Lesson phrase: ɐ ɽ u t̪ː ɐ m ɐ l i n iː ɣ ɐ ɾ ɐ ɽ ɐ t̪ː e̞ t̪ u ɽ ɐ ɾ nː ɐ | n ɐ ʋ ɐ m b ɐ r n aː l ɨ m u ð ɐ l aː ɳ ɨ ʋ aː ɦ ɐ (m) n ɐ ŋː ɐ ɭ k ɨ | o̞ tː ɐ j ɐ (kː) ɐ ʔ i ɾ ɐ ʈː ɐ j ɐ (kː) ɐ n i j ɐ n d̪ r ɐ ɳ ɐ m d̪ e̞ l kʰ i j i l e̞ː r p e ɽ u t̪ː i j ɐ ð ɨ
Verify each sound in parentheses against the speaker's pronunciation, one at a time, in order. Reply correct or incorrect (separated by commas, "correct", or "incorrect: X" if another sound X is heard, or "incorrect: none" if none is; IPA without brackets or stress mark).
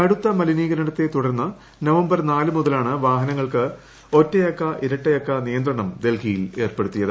incorrect: none, correct, correct